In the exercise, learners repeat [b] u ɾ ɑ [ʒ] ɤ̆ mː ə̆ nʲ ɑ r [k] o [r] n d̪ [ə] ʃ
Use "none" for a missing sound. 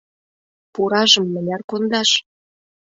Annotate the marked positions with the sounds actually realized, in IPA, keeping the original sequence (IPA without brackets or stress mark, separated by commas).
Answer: p, ʒ, k, none, ɑ